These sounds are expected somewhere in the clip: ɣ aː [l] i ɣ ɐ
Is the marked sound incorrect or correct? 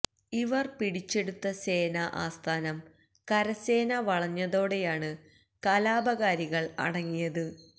incorrect